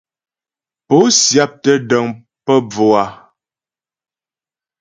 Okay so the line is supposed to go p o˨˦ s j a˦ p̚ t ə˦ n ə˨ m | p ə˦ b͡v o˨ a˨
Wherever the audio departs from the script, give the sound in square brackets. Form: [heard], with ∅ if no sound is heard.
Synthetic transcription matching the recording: p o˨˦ s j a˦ p̚ t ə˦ [d] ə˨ [ŋ] | p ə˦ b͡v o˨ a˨

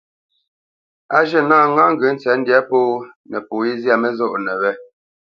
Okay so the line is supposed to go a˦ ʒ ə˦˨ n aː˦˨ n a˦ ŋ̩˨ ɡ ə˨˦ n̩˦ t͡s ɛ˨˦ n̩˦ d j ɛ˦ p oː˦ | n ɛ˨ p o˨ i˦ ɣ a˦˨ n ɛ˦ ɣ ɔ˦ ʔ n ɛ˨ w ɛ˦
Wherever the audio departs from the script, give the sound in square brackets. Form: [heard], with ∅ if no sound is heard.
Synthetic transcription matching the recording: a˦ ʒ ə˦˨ n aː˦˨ [ŋ] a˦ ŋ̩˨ ɡ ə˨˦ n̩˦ t͡s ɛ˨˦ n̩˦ d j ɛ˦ p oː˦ | n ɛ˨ p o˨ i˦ [z] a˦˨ [m] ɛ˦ [z] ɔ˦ ʔ n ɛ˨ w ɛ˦

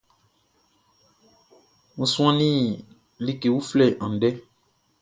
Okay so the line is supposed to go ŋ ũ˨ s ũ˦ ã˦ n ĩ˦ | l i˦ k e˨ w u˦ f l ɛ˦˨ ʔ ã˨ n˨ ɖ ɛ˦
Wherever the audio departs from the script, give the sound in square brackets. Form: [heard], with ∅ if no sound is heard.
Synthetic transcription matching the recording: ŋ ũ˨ s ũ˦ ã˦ n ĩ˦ | l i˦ k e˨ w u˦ f l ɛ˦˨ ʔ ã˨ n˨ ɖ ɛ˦

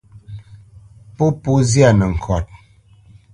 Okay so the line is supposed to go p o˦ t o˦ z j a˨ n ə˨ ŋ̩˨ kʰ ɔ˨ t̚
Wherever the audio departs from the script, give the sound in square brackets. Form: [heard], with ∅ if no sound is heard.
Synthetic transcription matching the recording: p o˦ [p] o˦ z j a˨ n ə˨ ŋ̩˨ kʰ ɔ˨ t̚

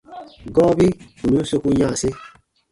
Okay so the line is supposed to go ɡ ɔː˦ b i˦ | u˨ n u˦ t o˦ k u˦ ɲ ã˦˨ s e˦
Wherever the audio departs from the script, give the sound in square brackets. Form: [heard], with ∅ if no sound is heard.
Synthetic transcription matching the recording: ɡ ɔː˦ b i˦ | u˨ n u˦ [s] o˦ k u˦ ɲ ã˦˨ s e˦

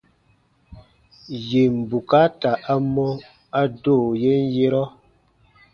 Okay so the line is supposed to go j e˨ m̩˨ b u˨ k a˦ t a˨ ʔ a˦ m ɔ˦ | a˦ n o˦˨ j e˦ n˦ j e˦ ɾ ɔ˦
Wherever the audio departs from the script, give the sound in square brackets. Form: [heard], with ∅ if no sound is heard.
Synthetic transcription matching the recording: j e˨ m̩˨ b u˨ k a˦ t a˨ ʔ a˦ m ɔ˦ | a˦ [d] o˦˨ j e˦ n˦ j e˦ ɾ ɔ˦

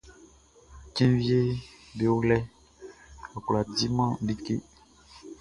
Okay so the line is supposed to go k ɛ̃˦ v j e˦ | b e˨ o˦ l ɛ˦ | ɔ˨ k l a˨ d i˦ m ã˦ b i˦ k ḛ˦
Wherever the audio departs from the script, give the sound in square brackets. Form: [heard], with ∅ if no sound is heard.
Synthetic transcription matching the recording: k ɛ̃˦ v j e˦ | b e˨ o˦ l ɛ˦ | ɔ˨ k l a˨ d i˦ m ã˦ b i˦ k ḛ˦

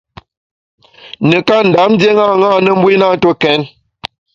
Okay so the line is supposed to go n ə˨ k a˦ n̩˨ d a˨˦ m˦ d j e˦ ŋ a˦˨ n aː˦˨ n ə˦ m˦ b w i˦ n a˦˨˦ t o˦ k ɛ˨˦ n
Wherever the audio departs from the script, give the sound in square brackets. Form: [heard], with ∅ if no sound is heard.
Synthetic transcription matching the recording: n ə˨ k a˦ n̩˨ d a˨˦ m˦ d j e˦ ŋ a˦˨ [ŋ] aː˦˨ n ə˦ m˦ b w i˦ n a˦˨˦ t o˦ k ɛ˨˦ n

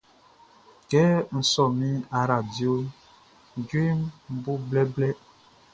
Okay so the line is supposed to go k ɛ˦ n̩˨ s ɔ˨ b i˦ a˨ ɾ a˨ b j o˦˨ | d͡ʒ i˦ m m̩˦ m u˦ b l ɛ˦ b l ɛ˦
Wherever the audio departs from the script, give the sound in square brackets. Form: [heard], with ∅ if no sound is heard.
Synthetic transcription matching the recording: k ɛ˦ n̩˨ s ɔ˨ [m] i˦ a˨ ɾ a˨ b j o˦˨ | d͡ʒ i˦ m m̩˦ [b] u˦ b l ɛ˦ b l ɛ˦

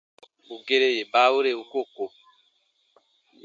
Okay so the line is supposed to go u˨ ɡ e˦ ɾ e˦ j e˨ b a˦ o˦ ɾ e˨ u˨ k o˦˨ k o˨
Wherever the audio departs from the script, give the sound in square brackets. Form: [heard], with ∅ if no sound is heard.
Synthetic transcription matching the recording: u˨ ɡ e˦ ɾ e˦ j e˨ b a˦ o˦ ɾ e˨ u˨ k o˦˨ k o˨

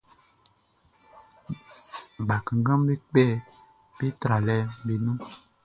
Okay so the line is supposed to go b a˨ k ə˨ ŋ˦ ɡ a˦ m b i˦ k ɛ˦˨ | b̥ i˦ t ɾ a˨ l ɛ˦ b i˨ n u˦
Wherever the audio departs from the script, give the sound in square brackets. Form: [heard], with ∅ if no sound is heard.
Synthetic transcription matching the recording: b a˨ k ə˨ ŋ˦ ɡ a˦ m b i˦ [k͡p] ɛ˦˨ | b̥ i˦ t ɾ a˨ l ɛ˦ b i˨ n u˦

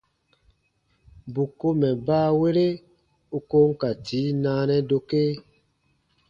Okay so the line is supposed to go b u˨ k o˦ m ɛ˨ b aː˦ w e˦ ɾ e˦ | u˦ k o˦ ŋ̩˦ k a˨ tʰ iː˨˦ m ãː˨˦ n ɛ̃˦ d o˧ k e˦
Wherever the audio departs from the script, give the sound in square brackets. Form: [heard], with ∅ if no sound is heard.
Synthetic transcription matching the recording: b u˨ k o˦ m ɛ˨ b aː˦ w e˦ ɾ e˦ | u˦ k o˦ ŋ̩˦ k a˨ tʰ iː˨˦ [n] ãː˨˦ n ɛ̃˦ d o˧ k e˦

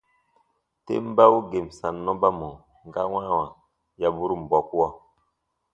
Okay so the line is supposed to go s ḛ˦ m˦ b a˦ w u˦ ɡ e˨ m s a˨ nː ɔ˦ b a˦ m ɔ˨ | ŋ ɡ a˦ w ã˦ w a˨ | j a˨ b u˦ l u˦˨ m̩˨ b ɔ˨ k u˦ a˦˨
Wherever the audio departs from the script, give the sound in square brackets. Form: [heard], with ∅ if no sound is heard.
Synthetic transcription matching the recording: [t] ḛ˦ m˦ b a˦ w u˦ ɡ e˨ m s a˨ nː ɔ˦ b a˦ m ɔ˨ | ŋ ɡ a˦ w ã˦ w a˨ | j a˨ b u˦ [ɾ] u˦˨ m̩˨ b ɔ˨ k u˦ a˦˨

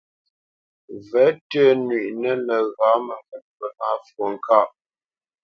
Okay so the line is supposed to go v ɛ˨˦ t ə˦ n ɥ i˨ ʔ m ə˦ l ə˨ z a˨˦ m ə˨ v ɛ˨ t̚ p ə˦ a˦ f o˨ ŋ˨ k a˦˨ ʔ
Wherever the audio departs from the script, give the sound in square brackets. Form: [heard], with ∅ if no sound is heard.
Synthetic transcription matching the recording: v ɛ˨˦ t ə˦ n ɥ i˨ ʔ [n] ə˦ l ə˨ [ɣ] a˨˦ m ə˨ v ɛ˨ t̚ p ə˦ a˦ f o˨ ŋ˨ k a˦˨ ʔ

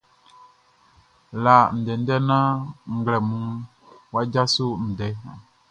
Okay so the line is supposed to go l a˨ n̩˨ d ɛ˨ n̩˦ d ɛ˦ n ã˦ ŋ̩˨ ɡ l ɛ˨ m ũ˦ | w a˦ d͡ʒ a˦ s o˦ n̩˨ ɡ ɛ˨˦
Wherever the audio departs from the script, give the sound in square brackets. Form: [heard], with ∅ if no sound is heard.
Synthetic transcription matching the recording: l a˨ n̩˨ d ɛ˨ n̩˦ d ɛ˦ n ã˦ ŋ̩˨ ɡ l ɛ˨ m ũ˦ | w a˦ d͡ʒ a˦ s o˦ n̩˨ [d] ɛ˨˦

